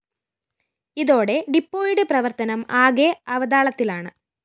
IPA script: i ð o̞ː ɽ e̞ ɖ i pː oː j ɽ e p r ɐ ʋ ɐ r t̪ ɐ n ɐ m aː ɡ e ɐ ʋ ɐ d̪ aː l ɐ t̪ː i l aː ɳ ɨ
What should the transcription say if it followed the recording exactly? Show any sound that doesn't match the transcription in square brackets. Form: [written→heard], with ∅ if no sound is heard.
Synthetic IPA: i ð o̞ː ɽ e̞ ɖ i pː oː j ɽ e p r ɐ ʋ ɐ r t̪ ɐ n ɐ m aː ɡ e ɐ ʋ ɐ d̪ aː [l→ɭ] ɐ t̪ː i l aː ɳ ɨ

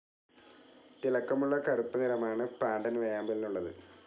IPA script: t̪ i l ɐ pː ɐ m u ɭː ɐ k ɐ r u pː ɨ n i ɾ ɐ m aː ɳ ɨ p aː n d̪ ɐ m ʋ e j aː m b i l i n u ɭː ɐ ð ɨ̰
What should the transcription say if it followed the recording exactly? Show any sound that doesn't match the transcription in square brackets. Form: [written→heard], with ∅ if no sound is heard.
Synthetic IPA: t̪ i l ɐ [pː→kː] ɐ m u ɭː ɐ k ɐ r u pː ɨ n i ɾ ɐ m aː ɳ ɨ p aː n d̪ ɐ [m→n] ʋ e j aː m b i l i n u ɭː ɐ ð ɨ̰

